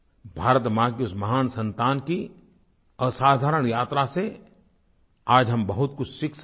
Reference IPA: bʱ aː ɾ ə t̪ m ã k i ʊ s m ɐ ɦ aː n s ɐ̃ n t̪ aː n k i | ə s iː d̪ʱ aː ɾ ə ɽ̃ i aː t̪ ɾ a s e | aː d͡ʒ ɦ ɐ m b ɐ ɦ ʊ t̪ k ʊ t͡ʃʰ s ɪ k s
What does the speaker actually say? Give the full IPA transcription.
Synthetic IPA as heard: bʱ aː ɾ ə t̪ m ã k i ʊ s m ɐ ɦ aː n s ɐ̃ n t̪ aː n k i | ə s aː d̪ʱ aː ɾ ə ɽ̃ j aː t̪ ɾ a s e | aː d͡ʒ ɦ ɐ m b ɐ ɦ ʊ t̪ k ʊ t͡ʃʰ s ɪ k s